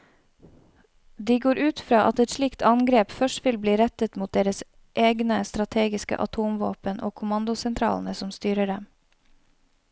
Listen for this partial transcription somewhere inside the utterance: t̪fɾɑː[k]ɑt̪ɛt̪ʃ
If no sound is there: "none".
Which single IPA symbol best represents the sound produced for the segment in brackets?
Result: ʔ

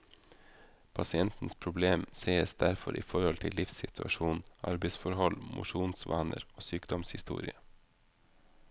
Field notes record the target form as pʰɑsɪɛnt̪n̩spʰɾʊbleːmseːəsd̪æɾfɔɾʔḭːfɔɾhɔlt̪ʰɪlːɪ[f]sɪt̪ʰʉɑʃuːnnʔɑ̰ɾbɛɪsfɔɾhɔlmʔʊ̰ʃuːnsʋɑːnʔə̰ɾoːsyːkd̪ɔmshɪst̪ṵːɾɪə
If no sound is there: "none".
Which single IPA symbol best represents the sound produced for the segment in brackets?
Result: f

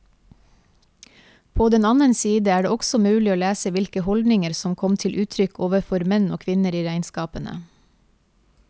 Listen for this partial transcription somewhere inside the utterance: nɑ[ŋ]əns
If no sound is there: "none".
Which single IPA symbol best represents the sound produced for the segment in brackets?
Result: n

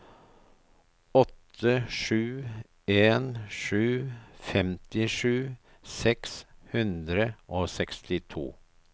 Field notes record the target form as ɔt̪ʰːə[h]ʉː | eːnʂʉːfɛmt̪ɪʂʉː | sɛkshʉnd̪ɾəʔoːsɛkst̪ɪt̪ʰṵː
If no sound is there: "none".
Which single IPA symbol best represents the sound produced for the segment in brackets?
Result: ʂ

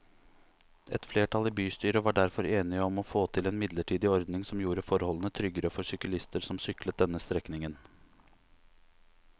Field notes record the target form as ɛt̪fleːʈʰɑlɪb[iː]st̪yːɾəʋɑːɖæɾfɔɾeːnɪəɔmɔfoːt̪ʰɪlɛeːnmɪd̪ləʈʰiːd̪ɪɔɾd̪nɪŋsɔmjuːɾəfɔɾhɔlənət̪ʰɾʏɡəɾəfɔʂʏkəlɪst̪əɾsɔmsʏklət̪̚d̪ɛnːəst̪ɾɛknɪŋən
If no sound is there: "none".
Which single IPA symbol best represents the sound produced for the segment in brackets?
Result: yː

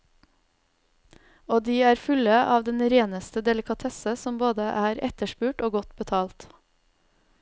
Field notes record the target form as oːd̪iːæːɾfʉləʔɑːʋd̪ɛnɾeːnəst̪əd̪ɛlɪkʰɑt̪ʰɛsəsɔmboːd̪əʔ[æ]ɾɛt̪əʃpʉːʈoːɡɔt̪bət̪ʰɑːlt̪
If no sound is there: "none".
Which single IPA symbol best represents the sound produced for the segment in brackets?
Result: æː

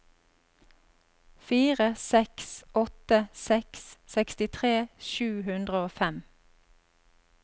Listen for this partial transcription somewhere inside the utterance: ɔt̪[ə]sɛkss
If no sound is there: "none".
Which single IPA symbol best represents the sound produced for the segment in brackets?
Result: ə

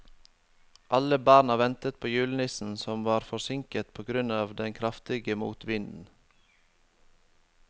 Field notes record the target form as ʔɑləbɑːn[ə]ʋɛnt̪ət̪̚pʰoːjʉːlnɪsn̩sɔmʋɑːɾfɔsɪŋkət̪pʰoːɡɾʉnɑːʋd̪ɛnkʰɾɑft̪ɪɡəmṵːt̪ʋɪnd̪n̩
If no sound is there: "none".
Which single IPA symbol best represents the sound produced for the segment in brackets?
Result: ɑ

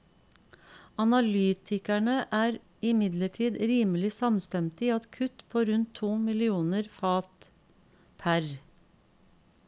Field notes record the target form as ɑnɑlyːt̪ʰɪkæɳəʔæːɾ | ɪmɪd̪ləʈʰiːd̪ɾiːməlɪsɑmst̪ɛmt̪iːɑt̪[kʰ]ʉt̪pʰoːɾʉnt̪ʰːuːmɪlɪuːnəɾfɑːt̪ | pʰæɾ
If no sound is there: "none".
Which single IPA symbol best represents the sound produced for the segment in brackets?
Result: kʰ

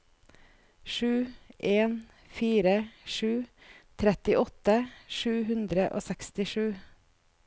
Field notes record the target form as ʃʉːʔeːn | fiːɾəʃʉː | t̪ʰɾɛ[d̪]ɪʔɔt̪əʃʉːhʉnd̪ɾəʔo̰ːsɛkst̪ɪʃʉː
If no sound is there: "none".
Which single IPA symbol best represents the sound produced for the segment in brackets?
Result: t̪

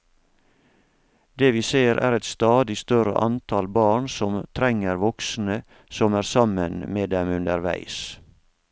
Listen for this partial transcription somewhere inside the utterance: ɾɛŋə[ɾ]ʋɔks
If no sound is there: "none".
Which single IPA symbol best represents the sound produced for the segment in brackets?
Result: ɾ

